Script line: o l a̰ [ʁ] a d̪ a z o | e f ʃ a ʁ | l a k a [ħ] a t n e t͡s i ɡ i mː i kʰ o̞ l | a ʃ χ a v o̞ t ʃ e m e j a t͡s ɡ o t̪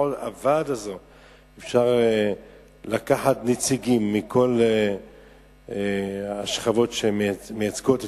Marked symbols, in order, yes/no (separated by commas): no, yes